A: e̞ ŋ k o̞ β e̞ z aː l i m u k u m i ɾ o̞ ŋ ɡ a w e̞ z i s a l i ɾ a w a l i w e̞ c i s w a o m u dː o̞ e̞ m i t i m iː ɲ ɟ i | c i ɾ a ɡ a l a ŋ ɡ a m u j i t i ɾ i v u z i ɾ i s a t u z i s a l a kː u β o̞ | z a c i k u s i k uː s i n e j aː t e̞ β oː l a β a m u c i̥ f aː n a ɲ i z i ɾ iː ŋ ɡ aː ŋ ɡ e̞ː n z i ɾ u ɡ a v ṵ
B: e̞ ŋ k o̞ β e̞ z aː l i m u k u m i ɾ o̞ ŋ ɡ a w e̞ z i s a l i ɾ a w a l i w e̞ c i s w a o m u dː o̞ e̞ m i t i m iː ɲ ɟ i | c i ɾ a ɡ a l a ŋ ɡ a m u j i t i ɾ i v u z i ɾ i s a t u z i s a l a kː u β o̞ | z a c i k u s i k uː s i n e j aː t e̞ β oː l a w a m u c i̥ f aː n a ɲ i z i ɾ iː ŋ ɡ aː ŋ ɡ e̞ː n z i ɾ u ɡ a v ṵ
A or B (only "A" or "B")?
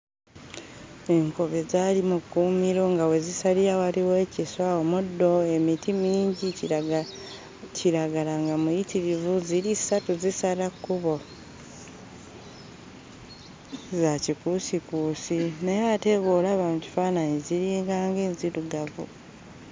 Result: A